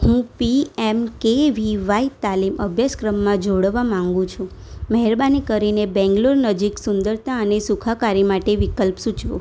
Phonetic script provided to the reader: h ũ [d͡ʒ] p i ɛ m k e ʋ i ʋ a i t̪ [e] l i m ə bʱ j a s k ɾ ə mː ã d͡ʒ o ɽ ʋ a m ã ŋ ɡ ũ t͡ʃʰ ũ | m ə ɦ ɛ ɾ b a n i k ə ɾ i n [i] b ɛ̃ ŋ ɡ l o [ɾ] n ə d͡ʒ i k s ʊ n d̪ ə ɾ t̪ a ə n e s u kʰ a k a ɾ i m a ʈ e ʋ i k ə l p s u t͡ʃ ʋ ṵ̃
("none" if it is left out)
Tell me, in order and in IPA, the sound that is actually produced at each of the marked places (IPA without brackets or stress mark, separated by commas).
none, a, e, ɾ